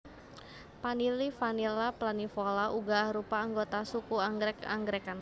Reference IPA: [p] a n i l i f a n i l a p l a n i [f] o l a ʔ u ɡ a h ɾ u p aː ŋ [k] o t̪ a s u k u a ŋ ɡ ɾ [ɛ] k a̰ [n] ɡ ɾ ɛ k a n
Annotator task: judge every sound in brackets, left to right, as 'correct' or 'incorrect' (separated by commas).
correct, correct, incorrect, correct, incorrect